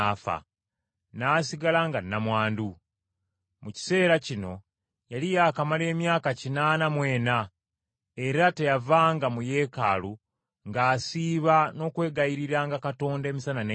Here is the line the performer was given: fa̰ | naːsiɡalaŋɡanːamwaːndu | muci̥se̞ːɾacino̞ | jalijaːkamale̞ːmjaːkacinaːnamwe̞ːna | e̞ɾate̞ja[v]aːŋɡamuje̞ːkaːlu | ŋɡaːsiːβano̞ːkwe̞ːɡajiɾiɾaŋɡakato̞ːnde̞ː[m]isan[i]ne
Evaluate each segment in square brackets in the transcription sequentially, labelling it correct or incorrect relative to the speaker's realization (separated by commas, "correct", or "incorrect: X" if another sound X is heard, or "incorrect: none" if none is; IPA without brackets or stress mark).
correct, correct, incorrect: a